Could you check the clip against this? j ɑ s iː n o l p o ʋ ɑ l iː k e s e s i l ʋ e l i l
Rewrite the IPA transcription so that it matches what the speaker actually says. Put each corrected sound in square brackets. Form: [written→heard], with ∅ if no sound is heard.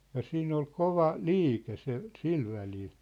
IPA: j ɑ s iː n o l [p→k] o ʋ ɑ l iː k e s e s i l ʋ [e→æ] l i l